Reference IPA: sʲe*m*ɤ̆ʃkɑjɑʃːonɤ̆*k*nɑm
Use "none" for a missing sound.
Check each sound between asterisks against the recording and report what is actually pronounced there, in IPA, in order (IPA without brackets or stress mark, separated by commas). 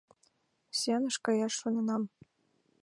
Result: n, none